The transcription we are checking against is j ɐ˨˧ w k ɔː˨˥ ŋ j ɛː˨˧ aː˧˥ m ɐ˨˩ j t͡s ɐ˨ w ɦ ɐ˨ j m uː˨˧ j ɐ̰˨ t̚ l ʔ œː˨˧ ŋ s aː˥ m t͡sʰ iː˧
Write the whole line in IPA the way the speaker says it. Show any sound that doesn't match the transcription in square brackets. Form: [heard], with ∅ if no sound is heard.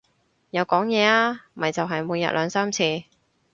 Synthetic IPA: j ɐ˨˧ w k ɔː˨˥ ŋ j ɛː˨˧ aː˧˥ m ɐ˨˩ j t͡s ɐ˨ w ɦ ɐ˨ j m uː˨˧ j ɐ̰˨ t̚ l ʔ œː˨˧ ŋ s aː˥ m t͡sʰ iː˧